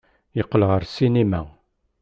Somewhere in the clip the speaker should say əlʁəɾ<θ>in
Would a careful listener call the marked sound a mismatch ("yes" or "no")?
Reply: yes